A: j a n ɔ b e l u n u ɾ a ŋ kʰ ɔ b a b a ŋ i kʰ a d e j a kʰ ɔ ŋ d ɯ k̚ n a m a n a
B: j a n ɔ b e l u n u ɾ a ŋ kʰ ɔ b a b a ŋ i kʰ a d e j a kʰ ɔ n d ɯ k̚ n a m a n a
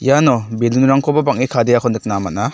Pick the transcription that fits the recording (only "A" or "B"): B